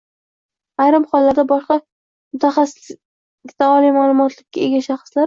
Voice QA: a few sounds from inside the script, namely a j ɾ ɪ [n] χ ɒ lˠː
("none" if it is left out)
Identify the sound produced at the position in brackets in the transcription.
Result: m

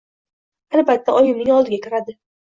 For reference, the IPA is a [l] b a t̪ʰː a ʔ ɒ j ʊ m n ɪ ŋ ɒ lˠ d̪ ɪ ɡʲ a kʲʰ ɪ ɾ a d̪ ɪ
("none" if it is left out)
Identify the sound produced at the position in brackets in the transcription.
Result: l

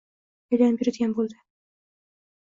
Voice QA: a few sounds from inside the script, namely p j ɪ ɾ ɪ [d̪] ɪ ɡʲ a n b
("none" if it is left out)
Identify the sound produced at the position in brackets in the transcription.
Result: d̪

